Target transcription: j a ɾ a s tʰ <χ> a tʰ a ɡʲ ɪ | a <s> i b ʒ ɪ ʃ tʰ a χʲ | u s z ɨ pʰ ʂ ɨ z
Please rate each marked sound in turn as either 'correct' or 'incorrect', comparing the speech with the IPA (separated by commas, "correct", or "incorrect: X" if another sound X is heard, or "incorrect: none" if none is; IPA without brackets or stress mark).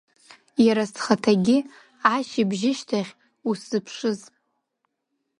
correct, incorrect: ʃ